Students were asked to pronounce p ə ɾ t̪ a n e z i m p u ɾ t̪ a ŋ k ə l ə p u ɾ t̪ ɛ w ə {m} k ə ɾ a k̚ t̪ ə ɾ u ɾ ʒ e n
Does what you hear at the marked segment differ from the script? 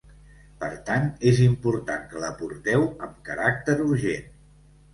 no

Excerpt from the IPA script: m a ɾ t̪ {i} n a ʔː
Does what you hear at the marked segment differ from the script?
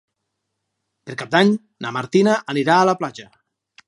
no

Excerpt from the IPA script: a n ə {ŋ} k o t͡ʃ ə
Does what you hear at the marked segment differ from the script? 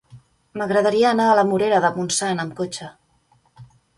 yes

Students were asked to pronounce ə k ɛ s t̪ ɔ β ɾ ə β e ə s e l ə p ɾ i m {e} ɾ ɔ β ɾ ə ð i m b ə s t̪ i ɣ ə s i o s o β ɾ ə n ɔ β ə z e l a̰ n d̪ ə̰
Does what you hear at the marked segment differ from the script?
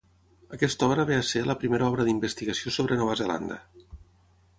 no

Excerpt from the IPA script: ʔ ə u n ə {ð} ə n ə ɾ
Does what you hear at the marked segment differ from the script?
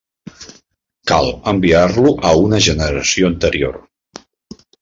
yes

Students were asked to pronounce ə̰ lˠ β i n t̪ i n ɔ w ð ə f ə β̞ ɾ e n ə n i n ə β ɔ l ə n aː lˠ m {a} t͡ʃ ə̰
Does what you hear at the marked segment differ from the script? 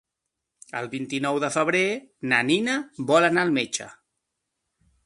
yes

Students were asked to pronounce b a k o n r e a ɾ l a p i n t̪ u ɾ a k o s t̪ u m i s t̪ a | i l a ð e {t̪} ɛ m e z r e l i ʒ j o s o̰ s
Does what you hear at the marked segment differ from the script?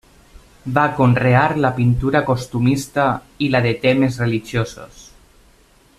no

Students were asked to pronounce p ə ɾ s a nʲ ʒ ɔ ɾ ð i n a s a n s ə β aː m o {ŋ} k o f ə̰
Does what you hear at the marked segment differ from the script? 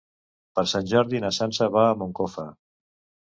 no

